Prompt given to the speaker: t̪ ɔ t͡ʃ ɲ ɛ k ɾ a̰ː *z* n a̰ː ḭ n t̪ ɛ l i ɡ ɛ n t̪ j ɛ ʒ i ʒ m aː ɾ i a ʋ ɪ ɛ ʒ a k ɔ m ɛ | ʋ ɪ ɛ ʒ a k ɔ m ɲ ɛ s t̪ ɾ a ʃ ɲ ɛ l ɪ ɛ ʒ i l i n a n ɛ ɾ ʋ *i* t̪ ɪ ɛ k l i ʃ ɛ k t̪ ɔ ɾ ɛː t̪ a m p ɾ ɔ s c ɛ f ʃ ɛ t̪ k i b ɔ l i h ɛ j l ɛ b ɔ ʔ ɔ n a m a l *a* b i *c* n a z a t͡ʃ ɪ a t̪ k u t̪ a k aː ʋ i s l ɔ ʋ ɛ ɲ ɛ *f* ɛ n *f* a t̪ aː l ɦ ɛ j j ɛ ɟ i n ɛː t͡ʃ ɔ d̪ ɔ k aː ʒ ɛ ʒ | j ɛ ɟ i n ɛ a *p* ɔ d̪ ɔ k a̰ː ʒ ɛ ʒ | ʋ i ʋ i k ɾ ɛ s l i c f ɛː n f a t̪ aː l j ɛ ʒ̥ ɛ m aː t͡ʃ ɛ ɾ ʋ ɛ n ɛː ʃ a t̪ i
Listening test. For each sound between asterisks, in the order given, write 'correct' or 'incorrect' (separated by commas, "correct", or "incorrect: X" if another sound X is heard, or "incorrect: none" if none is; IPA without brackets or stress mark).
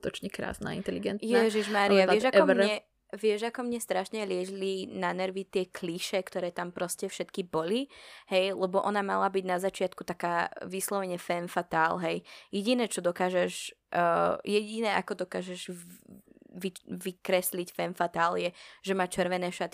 incorrect: s, correct, correct, incorrect: ɟ, correct, correct, incorrect: k